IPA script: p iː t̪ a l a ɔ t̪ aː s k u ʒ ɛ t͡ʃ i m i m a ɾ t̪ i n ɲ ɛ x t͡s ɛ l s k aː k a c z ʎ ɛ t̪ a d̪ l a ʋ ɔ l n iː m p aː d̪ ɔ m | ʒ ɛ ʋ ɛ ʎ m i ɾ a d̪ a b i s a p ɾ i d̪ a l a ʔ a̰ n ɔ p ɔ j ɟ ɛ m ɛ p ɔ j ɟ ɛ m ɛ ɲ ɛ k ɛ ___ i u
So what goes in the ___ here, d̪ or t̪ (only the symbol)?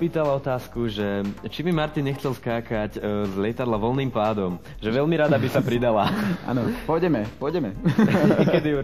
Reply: d̪